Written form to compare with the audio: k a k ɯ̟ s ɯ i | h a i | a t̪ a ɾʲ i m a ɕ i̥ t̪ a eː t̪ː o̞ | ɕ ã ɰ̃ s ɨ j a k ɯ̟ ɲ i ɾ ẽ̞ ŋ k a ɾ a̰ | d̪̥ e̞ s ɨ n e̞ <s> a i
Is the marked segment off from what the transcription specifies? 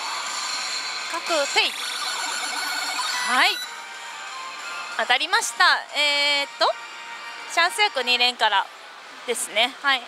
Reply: yes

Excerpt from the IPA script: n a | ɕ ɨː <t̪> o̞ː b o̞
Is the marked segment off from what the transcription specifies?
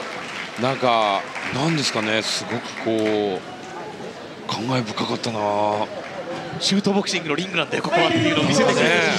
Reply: no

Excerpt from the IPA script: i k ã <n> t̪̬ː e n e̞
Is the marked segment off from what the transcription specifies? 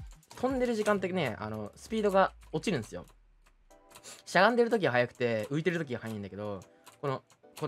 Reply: no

